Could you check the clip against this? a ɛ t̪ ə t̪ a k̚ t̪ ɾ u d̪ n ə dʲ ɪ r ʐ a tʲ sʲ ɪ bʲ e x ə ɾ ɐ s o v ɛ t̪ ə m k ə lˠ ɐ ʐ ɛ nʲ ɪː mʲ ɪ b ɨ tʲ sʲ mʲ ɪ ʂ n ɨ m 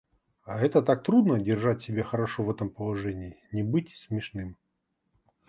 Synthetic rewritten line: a ɛ t̪ ə t̪ a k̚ t̪ ɾ u d̪ n ə dʲ ɪ r ʐ a tʲ sʲ ɪ bʲ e x ə ɾ ɐ ʂ o v ɛ t̪ ə m p ə lˠ ɐ ʐ ɛ nʲ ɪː nʲ ɪ b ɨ tʲ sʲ mʲ ɪ ʂ n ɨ m